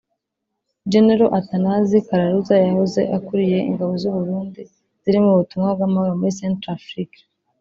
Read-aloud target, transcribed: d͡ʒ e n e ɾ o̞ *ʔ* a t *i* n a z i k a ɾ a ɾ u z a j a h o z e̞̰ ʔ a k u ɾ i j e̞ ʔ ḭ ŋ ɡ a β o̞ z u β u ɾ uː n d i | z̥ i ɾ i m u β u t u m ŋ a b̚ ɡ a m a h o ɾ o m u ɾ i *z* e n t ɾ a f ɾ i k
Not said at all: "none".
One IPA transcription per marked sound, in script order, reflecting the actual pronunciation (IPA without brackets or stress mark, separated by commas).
ʔ, a, s